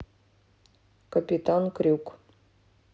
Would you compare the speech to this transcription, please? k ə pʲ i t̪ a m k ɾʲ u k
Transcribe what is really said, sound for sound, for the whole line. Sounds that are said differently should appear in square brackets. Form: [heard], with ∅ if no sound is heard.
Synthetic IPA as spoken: k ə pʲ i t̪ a [n] k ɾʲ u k